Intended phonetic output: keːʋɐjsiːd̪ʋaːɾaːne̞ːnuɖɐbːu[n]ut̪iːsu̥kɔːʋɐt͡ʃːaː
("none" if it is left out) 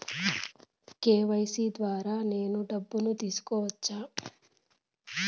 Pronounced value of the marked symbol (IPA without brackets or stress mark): n